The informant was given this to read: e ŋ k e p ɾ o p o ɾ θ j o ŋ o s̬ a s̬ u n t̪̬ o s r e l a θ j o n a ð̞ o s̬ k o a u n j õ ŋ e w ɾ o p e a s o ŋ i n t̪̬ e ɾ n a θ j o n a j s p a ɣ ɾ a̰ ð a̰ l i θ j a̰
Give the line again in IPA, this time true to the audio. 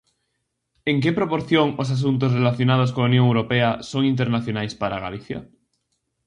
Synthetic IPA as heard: e ŋ k e p ɾ o p o ɾ θ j o ŋ o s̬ a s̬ u n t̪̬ o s r e l a θ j o n a ð̞ o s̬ k o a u n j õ ŋ e w ɾ o p e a s o ŋ i n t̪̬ e ɾ n a θ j o n a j s p a ɾ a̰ ɣ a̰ l i θ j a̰